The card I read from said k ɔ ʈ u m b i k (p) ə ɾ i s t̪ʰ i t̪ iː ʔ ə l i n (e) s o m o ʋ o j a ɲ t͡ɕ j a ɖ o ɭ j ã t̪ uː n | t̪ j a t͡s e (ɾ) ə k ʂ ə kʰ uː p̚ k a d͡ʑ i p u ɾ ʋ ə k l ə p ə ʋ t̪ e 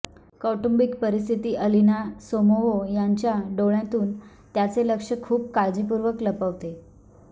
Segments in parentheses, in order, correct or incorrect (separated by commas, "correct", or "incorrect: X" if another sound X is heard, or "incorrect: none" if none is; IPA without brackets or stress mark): correct, incorrect: a, incorrect: l